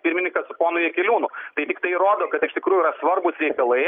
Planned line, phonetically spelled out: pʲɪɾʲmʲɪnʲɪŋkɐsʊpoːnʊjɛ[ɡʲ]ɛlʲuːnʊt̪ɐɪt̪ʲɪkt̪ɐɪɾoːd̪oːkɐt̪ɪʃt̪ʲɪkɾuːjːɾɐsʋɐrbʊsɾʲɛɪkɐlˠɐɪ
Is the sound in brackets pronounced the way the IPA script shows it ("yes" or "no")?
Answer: no